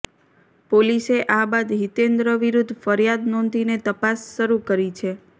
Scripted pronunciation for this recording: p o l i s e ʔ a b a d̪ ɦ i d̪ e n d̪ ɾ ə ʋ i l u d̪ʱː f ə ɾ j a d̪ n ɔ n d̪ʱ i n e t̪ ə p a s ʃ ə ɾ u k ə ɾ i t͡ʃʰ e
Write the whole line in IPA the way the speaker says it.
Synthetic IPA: p o l i s e ʔ a b a d̪ ɦ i t̪ e n d̪ ɾ ə ʋ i ɾ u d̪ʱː f ə ɾ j a d̪ n ɔ n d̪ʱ i n e t̪ ə p a s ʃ ə ɾ u k ə ɾ i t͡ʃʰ e